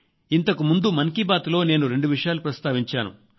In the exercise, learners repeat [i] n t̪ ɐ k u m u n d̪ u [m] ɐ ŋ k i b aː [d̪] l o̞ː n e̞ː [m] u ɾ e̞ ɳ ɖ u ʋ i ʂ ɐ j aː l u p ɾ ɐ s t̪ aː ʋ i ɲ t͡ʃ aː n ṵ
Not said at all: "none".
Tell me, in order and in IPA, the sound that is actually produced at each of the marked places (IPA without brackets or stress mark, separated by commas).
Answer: i, m, t̪, n